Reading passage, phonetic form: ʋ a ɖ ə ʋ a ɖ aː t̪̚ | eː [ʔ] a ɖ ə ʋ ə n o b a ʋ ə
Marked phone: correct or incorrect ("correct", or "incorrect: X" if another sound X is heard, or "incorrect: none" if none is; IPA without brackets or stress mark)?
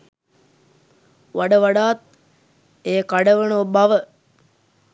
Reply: incorrect: k